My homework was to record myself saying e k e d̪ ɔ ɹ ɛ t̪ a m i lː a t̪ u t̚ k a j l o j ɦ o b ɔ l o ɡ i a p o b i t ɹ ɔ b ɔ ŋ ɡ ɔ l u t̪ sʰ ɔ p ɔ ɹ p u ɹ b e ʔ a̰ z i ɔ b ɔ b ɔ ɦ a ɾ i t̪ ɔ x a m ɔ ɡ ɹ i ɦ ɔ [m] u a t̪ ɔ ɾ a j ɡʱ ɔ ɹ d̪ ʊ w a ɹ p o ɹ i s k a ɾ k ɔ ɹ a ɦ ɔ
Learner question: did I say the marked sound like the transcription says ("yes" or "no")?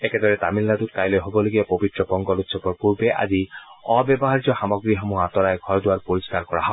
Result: yes